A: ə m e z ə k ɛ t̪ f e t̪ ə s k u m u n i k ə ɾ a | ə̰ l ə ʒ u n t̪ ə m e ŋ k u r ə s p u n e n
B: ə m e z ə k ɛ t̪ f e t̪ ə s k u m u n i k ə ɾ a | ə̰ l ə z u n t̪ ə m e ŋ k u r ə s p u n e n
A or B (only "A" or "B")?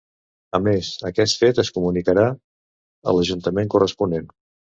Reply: A